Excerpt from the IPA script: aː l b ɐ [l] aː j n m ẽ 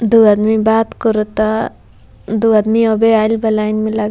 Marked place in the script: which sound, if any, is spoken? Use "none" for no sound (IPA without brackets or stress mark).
l